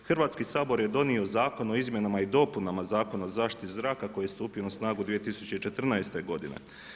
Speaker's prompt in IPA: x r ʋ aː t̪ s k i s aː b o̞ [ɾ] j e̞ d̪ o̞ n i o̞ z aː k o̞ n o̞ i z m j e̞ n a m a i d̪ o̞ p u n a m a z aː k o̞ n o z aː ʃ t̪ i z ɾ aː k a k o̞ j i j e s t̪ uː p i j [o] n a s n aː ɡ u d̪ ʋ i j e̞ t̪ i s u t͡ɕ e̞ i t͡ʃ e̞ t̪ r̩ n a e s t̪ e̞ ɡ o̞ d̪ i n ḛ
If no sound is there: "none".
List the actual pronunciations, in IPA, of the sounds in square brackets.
ɾ, o

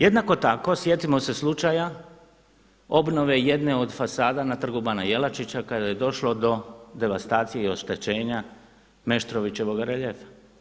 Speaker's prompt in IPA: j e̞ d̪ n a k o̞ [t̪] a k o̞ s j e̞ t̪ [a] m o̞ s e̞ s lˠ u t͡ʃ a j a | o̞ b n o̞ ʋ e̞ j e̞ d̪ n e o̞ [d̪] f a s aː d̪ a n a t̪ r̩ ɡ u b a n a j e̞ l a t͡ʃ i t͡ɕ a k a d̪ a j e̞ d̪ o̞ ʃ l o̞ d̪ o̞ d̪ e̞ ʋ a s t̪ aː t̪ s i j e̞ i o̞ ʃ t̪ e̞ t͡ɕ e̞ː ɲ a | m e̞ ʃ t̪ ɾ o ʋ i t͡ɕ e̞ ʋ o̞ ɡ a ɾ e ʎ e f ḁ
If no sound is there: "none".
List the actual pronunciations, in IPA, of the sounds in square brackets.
t̪, i, d̪

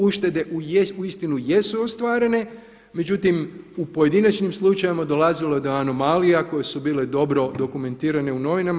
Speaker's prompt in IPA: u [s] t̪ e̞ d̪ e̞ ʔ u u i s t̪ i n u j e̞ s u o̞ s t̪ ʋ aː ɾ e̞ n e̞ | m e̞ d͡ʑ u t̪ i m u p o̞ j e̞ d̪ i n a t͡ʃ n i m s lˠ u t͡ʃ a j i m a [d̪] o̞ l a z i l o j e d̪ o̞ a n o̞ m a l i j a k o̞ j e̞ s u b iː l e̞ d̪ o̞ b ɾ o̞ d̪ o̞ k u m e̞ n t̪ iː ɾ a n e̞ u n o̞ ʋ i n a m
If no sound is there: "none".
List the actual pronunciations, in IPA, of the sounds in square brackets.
ʃ, d̪

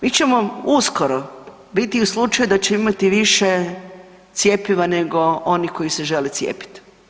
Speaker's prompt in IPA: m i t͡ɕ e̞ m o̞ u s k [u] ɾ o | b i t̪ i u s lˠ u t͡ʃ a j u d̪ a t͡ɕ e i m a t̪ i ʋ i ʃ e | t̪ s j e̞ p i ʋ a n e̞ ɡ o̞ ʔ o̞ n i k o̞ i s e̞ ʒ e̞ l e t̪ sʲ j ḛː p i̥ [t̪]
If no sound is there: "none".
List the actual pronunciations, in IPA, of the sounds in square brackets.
o, t̪

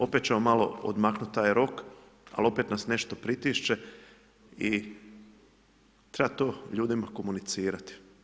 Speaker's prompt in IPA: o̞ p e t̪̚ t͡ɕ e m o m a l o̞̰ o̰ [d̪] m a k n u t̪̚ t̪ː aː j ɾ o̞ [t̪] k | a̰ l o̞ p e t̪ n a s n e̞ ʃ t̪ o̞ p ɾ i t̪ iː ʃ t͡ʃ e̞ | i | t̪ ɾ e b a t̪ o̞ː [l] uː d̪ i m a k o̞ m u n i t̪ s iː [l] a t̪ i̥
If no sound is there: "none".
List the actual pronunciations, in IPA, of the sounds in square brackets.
d̪, none, ʎ, ɾ

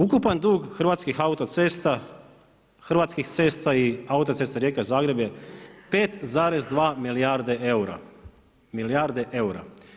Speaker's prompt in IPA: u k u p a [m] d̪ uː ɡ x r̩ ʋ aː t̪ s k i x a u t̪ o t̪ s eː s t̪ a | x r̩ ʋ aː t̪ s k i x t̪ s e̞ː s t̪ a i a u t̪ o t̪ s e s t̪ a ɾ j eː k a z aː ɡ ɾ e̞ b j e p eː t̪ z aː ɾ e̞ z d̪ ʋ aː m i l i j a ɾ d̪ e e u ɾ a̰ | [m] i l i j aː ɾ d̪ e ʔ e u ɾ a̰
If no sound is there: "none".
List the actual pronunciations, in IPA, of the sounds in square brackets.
n, m

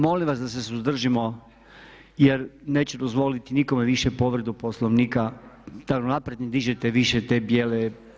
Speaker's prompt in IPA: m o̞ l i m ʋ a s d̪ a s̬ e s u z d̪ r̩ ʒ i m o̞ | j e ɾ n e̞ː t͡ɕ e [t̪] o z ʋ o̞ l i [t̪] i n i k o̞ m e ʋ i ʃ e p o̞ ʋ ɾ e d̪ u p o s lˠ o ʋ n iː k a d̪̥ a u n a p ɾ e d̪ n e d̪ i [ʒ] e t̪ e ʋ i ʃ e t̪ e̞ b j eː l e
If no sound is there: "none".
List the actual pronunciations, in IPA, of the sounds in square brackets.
d̪, t̪, ʒ

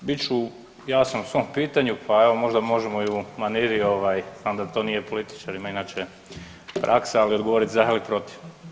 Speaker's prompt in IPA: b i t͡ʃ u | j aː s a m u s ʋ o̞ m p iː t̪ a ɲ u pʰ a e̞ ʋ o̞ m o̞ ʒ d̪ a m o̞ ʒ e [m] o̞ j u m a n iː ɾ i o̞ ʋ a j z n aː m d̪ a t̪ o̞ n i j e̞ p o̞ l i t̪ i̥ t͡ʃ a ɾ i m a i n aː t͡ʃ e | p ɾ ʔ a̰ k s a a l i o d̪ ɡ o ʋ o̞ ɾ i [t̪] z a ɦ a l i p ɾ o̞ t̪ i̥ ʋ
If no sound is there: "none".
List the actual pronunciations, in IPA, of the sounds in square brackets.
m, t̪

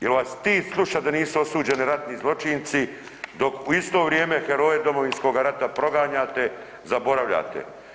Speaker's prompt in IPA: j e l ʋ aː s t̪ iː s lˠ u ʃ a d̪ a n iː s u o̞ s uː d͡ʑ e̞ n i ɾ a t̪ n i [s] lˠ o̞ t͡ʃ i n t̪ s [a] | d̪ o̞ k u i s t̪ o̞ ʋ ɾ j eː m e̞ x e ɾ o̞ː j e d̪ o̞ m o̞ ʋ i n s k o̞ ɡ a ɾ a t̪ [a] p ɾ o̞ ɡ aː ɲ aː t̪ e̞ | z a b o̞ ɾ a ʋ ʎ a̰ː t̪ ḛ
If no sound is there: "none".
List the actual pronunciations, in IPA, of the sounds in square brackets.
z, i, a

